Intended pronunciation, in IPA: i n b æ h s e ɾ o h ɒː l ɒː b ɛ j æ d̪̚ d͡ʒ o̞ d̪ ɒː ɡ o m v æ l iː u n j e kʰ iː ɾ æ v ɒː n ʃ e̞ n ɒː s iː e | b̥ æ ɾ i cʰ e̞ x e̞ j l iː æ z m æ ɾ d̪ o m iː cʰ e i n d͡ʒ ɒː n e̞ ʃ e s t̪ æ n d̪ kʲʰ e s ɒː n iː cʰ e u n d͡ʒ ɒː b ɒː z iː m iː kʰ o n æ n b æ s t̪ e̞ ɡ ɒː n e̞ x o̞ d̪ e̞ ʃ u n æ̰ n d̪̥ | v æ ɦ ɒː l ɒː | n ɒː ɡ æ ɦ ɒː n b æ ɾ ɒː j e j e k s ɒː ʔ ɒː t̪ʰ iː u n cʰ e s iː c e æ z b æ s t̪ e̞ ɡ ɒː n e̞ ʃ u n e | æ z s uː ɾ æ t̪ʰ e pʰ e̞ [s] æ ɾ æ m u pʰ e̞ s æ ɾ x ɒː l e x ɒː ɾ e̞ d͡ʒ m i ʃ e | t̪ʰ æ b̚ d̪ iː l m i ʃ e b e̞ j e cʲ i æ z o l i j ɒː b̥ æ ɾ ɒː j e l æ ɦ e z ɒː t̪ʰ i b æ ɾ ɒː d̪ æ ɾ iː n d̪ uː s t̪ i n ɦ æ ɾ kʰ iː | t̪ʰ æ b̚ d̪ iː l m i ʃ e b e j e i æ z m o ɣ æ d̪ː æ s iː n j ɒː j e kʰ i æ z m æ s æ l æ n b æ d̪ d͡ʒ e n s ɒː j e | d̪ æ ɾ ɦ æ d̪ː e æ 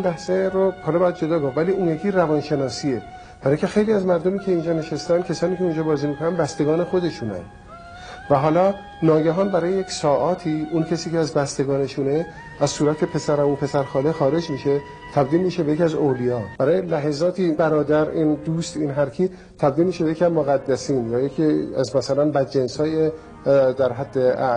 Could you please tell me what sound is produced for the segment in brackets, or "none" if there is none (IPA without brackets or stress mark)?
s